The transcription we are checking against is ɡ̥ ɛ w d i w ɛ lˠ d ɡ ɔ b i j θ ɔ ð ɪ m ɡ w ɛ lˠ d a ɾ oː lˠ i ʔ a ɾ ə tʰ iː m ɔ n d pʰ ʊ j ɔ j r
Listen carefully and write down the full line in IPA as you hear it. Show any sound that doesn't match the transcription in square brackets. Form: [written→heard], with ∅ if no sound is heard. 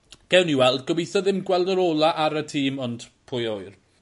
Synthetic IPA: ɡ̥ ɛ w [d→n] i w ɛ lˠ d ɡ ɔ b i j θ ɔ ð ɪ m ɡ w ɛ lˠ d [a→ə] ɾ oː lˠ [i→a] ʔ a ɾ ə tʰ iː m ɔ n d pʰ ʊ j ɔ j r